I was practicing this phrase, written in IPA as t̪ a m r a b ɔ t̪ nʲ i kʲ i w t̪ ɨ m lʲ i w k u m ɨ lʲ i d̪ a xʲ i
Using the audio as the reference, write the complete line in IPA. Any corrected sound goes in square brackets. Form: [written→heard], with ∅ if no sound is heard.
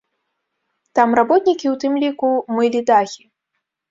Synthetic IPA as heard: t̪ a m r a b ɔ t̪ nʲ i kʲ i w t̪ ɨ m lʲ i [w→∅] k u m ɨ lʲ i d̪ a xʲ i